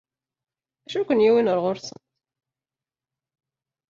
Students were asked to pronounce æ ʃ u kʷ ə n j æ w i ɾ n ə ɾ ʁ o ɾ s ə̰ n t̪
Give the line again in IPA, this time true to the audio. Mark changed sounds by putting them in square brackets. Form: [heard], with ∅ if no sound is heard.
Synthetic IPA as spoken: æ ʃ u kʷ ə n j [i] w i [∅] n ə ɾ ʁ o ɾ s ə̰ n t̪